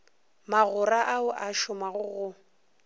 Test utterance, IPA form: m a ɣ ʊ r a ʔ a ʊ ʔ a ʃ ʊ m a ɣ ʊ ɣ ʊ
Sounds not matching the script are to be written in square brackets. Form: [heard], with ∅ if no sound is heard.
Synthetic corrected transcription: m a ɣ ʊ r a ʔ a ʊ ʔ a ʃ ʊ m a ɣ ʊ ɣ ʊ